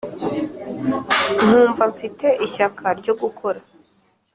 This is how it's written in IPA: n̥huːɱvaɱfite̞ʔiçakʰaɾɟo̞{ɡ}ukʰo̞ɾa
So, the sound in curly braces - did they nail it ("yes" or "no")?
yes